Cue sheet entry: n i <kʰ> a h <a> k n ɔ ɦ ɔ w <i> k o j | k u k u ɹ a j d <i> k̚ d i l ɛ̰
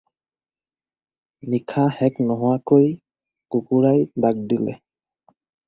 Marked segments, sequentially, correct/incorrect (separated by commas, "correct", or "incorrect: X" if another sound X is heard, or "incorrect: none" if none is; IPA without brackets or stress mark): correct, incorrect: ɛ, incorrect: a, incorrect: a